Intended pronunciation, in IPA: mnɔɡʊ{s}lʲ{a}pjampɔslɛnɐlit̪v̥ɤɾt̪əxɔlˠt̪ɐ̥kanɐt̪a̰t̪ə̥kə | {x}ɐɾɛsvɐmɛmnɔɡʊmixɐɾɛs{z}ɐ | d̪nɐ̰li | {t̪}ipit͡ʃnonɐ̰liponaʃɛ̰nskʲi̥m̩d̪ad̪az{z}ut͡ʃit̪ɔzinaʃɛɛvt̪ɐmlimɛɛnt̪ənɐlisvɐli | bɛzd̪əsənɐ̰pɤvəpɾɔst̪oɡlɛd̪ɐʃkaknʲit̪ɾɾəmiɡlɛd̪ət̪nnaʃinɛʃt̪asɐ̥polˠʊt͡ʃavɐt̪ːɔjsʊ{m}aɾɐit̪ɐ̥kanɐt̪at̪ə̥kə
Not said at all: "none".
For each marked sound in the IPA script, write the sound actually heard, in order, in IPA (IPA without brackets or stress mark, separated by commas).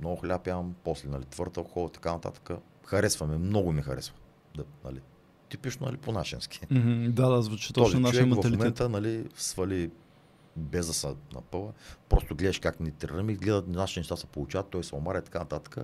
x, a, x, v, t̪, v, m